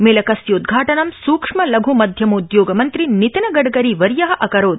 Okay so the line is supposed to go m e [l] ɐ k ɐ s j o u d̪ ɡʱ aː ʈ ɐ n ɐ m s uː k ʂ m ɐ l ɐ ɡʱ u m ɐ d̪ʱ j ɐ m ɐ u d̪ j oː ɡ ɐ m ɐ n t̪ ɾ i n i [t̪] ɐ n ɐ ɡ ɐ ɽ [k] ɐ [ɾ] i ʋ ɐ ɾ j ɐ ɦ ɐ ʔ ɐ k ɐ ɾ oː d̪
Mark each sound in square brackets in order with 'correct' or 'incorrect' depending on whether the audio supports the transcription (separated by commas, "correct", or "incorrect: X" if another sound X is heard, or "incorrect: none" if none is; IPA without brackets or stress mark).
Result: correct, correct, incorrect: ɡ, correct